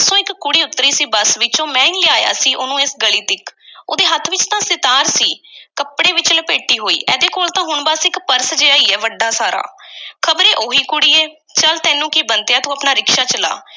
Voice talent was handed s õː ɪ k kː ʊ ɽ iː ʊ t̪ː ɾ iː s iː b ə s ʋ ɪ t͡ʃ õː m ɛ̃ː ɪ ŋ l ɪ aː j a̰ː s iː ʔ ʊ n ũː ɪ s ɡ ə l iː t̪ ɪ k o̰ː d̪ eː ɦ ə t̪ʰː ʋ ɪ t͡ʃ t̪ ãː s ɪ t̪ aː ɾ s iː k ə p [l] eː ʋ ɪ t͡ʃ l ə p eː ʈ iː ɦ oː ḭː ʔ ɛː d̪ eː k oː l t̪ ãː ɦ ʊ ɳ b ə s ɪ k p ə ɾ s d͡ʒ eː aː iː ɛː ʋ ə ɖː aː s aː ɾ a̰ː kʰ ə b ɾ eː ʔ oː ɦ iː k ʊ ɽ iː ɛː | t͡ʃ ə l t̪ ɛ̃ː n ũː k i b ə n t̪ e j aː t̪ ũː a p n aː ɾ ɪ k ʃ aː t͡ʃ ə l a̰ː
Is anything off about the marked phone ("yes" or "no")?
yes